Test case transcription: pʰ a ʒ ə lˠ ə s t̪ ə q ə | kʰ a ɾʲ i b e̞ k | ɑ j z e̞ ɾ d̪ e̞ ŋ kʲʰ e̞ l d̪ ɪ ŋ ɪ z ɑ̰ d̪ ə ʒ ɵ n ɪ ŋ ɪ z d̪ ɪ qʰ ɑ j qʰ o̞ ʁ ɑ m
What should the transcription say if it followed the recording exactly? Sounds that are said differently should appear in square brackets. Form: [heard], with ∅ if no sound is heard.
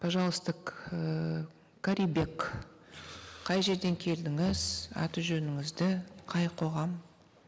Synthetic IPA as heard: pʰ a ʒ [ɑ] lˠ ə s t̪ ə q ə | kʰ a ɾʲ i b e̞ k | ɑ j [ʒ] e̞ ɾ d̪ e̞ ŋ kʲʰ e̞ l d̪ ɪ ŋ ɪ z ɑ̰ [t̪] ə ʒ ɵ n ɪ ŋ ɪ z d̪ ɪ qʰ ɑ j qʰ o̞ ʁ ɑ m